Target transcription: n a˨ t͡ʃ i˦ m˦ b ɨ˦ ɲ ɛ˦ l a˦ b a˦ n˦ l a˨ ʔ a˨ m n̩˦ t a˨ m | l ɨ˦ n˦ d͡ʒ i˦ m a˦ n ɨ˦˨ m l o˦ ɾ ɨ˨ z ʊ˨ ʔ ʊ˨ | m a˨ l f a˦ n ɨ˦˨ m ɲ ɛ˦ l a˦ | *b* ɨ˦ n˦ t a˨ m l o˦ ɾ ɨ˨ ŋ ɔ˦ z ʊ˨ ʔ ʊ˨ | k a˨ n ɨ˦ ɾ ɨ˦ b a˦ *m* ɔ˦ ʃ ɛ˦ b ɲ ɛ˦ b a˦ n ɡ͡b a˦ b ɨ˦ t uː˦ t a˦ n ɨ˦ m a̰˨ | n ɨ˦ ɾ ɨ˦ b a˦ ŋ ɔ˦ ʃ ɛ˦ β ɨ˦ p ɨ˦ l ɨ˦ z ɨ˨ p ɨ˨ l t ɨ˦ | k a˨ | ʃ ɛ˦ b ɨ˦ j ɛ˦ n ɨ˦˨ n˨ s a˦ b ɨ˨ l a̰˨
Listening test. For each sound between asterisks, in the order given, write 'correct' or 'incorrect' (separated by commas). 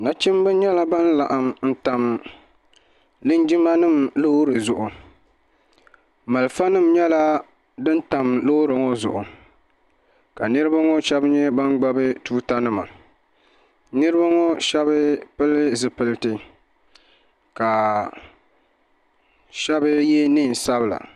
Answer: incorrect, incorrect